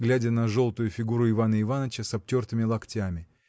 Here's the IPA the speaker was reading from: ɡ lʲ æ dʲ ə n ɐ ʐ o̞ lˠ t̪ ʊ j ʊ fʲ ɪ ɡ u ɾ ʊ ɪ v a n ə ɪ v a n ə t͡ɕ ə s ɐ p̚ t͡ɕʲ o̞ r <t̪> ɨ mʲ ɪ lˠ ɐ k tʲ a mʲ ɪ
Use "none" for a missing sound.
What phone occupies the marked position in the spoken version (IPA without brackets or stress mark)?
t̪